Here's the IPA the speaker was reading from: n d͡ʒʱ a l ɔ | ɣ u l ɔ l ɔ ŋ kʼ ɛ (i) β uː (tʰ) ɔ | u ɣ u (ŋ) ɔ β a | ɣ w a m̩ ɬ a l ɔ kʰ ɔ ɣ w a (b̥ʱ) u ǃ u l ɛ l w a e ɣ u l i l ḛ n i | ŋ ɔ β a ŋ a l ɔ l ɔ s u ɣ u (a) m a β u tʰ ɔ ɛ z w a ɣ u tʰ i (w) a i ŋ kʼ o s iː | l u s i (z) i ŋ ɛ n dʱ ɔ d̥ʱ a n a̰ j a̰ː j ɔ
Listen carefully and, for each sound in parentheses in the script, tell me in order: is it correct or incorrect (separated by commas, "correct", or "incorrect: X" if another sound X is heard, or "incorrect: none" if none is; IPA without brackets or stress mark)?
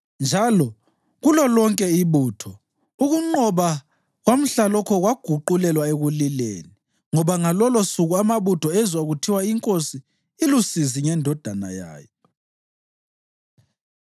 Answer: correct, correct, incorrect: ŋ͡ǃ, incorrect: ɡ̥ʱ, correct, correct, correct